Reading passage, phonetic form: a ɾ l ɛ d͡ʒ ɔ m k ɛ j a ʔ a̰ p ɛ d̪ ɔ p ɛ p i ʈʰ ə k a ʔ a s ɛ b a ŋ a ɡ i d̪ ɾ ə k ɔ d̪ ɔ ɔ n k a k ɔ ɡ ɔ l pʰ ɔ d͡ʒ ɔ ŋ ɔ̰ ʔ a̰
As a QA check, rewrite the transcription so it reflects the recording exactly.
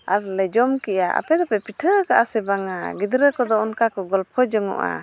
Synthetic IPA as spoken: a ɾ l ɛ d͡ʒ ɔ m k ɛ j a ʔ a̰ p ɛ d̪ ɔ p ɛ p i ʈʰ ə k a ʔ a s ɛ b a ŋ a ɡ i d̪ ɾ ə k ɔ d̪ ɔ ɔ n k a k ɔ ɡ ɔ l pʰ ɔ d͡ʒ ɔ ŋ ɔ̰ ʔ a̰

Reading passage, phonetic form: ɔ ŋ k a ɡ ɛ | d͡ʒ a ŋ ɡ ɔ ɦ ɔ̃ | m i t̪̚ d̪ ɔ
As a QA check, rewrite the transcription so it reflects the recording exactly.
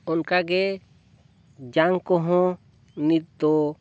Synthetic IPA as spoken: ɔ n k a ɡ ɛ | d͡ʒ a ŋ k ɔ ɦ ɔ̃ | n i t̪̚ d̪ ɔ

